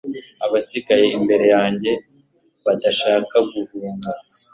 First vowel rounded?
no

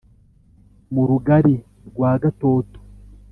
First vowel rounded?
yes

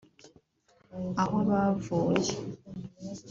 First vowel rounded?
no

